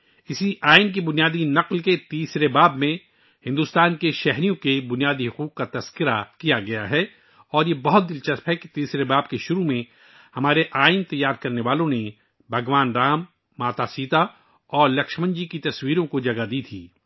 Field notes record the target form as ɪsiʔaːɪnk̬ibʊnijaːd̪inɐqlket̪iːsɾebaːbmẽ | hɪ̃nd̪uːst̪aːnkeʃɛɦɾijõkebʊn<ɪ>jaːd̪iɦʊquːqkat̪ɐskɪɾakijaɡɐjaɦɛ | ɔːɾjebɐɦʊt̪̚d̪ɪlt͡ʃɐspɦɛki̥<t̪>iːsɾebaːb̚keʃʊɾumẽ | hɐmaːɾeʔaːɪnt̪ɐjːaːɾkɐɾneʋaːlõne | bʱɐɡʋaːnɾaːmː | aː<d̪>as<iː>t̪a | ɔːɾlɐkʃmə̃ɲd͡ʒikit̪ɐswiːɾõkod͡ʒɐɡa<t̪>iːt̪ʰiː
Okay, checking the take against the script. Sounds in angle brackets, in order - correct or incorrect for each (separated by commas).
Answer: incorrect, correct, incorrect, correct, incorrect